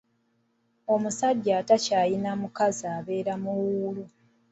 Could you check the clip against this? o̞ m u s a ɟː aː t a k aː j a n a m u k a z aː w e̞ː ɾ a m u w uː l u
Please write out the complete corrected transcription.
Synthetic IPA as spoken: o̞ m u s a ɟː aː t a c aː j i n a m u k a z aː β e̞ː ɾ a m u w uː l u